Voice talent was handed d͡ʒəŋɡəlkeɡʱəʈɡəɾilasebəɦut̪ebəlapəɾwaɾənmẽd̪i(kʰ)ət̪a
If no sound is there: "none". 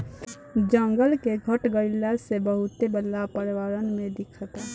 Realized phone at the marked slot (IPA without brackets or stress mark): kʰ